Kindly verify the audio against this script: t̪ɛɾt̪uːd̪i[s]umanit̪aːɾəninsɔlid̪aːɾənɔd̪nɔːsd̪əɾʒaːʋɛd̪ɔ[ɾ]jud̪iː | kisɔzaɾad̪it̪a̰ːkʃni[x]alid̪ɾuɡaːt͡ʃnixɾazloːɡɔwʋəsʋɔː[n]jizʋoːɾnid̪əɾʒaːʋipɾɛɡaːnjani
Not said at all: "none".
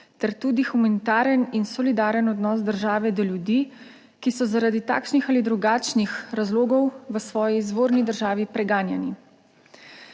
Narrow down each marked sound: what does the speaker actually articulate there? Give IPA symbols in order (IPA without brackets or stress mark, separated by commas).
x, l, x, none